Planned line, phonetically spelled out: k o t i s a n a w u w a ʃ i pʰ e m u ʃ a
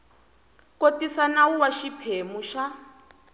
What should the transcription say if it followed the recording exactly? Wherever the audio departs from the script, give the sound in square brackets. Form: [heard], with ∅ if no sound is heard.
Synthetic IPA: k o t i s a n a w u w a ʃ i pʰ e m u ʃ a